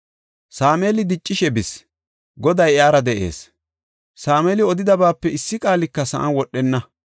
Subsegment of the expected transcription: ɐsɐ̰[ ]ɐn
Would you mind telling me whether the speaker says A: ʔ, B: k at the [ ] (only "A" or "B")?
A